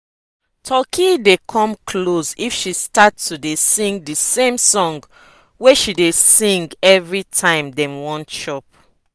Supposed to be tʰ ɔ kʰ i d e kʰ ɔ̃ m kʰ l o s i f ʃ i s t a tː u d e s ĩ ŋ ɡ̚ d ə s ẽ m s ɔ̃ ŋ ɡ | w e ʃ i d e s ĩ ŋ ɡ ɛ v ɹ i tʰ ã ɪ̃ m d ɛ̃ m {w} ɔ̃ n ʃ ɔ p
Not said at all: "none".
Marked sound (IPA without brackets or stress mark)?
w